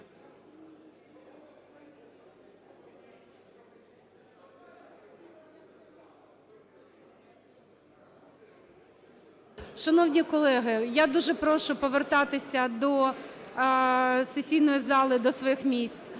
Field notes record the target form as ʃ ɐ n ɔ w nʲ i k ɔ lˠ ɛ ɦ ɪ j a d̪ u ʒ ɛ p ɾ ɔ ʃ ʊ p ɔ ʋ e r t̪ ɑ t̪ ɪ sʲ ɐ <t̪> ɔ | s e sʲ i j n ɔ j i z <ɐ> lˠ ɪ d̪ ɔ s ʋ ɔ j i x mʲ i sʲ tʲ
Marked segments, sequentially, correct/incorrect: incorrect, incorrect

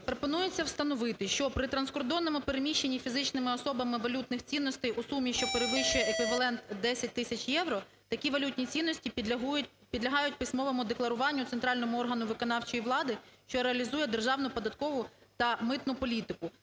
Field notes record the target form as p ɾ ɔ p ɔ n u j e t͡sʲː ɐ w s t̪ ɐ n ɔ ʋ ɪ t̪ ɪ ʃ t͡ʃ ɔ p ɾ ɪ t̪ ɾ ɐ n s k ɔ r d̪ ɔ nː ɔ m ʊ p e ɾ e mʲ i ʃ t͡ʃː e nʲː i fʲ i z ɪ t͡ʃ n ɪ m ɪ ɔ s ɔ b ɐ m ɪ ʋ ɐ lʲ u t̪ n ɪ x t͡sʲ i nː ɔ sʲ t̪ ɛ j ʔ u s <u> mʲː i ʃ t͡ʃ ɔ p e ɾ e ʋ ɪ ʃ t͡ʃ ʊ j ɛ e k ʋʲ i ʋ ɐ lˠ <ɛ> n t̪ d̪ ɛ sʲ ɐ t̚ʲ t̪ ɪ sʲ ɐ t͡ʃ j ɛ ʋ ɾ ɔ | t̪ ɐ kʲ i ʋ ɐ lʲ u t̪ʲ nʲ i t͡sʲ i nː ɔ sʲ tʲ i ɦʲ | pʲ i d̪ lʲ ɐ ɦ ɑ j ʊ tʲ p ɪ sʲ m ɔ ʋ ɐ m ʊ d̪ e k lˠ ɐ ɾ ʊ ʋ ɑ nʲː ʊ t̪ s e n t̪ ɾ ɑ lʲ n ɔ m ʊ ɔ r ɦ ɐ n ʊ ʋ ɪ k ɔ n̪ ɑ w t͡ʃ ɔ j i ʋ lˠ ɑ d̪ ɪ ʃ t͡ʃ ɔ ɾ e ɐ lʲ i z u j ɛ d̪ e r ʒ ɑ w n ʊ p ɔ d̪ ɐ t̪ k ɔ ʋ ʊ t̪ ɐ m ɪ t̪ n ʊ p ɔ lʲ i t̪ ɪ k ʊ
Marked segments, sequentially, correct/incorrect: correct, correct

